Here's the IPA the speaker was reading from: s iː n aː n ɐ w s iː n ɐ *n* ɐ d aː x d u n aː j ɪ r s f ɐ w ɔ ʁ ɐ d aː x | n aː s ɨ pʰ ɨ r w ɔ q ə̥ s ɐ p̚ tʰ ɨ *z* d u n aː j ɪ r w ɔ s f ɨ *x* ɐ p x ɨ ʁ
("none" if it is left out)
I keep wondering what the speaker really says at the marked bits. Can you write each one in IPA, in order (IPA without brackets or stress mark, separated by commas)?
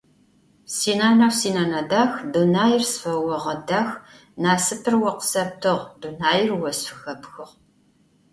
n, ʁ, x